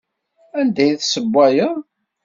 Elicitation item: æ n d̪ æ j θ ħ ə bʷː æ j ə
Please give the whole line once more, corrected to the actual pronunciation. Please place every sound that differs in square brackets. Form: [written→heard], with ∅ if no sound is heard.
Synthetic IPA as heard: æ n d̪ æ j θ [ħ→s] ə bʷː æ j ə